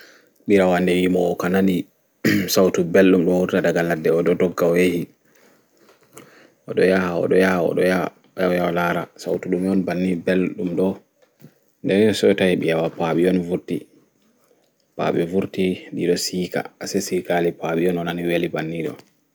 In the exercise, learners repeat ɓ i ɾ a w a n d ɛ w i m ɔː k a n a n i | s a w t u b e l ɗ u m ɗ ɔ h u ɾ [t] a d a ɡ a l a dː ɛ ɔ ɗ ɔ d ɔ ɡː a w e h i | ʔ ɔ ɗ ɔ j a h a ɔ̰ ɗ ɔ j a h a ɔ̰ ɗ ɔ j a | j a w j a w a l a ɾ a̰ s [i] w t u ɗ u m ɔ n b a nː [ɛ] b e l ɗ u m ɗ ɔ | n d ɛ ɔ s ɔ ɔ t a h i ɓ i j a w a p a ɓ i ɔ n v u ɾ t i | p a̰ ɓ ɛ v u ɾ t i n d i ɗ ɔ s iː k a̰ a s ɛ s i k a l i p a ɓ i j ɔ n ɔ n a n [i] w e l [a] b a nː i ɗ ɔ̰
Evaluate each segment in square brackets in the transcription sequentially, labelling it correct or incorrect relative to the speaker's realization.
correct, incorrect, incorrect, correct, incorrect

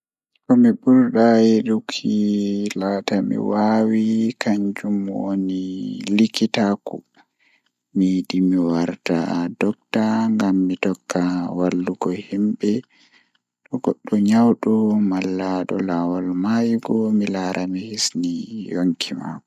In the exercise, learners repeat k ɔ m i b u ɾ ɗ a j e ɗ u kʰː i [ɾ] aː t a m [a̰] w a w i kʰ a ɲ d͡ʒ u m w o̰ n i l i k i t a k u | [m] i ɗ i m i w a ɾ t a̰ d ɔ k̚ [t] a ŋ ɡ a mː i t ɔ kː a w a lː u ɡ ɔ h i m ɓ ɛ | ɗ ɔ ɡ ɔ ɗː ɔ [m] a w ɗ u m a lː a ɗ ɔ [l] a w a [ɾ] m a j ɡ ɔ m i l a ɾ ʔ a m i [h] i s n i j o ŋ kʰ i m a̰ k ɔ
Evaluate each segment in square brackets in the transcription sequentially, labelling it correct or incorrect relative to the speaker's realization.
incorrect, incorrect, correct, correct, incorrect, correct, incorrect, correct

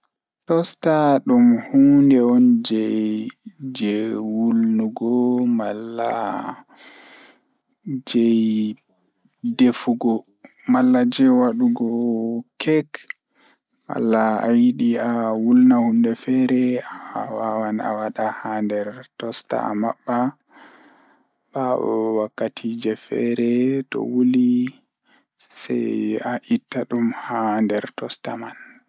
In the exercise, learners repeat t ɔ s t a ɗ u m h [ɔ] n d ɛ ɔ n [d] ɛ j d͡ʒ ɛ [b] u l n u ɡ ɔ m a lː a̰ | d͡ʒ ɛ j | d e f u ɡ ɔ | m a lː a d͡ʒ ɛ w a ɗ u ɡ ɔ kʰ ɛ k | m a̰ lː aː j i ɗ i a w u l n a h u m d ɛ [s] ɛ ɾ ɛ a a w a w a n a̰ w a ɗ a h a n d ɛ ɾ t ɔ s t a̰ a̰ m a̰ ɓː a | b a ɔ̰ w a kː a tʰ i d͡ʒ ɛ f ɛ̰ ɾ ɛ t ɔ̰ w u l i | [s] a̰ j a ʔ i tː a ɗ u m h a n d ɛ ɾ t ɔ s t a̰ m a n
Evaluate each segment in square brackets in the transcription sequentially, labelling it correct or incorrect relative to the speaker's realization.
incorrect, incorrect, incorrect, incorrect, correct

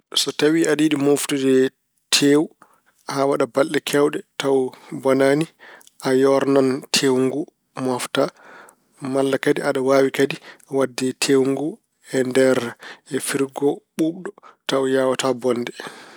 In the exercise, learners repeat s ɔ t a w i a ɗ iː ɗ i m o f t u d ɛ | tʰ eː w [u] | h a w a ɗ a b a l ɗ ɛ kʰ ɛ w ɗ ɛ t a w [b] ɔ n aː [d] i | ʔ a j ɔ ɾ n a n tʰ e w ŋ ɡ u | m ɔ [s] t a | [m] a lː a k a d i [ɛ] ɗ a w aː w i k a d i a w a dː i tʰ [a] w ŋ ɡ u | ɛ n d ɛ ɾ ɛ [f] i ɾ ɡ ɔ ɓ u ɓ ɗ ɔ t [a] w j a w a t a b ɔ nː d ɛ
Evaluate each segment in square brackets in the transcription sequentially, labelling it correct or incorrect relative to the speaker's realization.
correct, correct, incorrect, incorrect, correct, incorrect, incorrect, correct, correct

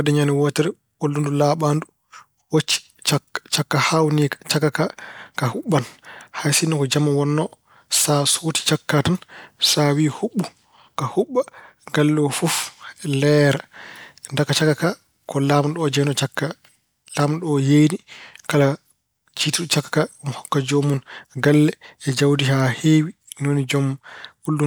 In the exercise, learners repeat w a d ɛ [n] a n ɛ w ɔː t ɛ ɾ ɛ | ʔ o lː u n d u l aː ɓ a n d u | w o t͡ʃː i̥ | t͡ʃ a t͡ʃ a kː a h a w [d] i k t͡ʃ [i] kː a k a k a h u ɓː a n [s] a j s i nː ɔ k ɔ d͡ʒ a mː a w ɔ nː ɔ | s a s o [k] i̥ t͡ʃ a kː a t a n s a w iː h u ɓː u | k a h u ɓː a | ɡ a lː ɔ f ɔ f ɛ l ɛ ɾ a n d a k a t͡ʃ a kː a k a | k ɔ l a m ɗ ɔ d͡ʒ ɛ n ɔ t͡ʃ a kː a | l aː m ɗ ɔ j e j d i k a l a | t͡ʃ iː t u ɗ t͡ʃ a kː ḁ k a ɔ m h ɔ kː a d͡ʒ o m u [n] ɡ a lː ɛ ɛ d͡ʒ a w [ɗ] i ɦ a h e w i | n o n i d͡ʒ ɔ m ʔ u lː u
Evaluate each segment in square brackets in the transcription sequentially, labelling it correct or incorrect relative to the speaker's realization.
incorrect, incorrect, incorrect, incorrect, incorrect, correct, incorrect

